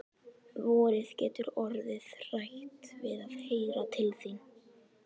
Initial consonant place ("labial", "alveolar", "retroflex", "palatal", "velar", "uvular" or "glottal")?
labial